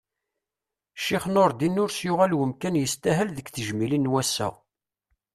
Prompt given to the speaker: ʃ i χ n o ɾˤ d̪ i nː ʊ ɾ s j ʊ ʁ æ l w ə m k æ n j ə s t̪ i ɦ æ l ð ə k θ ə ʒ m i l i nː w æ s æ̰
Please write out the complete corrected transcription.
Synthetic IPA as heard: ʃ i χ n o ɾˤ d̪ i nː ʊ ɾ s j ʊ ʁ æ l w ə m k æ n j ə s t̪ æ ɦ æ l ð ə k θ ə ʒ m i l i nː w æ s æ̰